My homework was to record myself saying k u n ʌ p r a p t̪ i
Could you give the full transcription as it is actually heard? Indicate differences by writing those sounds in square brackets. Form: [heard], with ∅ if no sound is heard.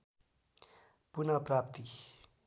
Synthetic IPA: [p] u n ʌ p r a p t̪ i